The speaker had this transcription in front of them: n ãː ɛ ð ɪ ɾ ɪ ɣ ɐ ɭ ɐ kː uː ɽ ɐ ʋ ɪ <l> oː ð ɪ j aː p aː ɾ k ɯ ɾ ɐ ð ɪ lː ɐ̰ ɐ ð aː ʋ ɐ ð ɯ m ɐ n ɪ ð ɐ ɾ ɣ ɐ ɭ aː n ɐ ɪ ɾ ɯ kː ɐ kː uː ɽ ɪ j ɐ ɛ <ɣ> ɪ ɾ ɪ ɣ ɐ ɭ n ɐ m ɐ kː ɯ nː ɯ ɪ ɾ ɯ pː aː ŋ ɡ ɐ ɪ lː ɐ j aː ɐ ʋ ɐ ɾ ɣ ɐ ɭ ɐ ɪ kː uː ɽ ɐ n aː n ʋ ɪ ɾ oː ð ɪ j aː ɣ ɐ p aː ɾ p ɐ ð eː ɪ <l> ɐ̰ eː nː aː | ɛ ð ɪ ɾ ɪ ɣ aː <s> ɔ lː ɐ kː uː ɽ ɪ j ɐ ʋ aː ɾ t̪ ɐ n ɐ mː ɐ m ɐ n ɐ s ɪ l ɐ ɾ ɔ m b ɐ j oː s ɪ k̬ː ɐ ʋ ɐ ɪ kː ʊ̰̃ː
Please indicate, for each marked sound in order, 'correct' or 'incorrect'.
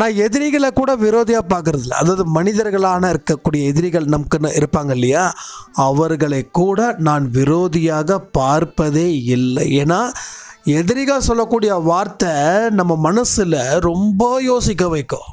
incorrect, incorrect, incorrect, correct

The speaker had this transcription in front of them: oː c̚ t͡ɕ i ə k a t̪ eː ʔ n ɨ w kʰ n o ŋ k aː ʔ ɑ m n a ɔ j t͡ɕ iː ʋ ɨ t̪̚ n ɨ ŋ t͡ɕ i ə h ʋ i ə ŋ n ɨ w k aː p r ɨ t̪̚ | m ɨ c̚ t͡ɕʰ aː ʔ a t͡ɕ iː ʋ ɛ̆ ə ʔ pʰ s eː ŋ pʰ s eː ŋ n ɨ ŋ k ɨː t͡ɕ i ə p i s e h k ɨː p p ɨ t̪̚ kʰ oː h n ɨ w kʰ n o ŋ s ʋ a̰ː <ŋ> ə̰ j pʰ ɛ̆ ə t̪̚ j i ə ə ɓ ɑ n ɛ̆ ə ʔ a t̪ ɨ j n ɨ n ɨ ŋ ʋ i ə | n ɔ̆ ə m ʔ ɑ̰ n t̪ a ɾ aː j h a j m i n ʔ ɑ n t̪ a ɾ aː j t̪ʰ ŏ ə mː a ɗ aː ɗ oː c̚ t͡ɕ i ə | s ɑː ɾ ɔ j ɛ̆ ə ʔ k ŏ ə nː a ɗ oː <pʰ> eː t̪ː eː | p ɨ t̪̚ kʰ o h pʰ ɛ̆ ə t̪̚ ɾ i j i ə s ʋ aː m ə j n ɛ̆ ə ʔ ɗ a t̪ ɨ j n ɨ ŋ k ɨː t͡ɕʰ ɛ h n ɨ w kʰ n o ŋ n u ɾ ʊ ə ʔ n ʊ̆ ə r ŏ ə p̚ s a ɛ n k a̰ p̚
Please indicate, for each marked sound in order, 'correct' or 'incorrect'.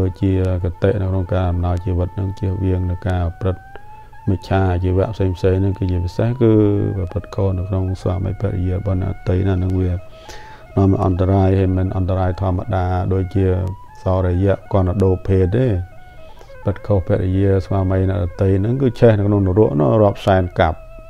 incorrect, correct

